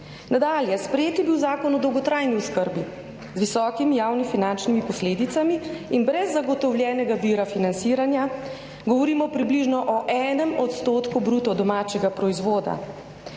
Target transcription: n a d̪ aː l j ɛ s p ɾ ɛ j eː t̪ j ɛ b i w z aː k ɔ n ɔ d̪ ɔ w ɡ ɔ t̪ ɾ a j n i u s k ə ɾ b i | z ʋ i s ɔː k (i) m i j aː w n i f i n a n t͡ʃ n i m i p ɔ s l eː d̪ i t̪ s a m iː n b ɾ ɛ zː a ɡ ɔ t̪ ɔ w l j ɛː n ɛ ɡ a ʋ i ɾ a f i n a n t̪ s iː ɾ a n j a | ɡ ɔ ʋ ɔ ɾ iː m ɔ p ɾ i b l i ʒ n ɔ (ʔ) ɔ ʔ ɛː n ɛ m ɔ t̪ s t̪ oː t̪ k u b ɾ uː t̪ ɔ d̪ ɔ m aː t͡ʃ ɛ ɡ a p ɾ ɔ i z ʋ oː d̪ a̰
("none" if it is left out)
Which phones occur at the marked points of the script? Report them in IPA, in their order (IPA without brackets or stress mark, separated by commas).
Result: i, ʔ